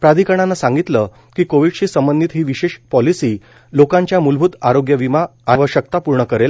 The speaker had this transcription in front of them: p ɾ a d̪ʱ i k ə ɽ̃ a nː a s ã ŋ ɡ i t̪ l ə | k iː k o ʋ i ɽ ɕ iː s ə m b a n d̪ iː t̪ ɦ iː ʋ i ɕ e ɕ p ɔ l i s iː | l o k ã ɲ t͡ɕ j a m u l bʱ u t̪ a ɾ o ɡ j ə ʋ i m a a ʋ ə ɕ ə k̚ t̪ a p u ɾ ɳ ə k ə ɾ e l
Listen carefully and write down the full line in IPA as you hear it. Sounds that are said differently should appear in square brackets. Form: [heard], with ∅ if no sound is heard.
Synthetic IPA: p ɾ a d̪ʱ i k ə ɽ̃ a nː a s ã ŋ ɡ i t̪ l ə | k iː k o ʋ i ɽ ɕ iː s ə m b [ə] n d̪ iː t̪ ɦ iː ʋ i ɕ e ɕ p ɔ l i s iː | l o k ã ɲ t͡ɕ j a m u l bʱ u t̪ a ɾ o ɡ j ə ʋ i m a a ʋ ə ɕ ə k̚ t̪ a p u ɾ ɳ ə k ə ɾ e l